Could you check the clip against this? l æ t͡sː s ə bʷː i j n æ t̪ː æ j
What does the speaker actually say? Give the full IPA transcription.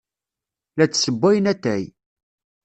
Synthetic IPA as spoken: l æ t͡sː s ə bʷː æ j n æ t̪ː æ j